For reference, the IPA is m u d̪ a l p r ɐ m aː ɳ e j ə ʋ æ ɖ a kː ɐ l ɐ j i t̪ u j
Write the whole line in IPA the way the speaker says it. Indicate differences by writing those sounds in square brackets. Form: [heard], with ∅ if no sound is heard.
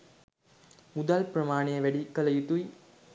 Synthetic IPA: m u d̪ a l p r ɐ m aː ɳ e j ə ʋ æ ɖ [i] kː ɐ l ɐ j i t̪ u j